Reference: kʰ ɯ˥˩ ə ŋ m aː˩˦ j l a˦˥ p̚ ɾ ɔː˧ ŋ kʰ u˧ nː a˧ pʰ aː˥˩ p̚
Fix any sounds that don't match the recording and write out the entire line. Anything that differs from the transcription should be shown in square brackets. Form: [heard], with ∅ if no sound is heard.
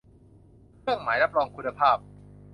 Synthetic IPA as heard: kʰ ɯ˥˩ ə ŋ m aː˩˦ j [ɾ] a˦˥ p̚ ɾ ɔː˧ ŋ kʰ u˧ nː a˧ pʰ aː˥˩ p̚